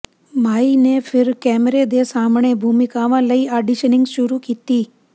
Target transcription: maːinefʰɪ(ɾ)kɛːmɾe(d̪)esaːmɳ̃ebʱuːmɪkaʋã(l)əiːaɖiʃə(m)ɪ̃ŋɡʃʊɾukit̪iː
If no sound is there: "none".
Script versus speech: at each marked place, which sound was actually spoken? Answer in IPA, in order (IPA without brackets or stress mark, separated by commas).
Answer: ɾ, d̪, l, n